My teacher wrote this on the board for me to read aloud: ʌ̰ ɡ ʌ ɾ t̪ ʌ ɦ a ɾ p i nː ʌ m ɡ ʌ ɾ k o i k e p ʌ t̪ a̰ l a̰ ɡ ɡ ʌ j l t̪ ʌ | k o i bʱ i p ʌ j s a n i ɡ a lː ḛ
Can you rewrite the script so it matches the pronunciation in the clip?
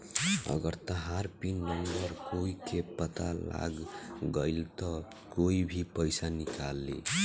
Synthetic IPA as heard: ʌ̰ ɡ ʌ ɾ t̪ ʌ ɦ a ɾ p i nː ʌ m b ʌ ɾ k o i k e p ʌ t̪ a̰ l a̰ ɡ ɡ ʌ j l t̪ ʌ | k o i bʱ i p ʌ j s a n i k a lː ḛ